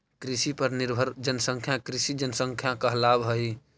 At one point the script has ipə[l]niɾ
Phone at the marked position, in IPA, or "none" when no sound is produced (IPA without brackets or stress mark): ɾ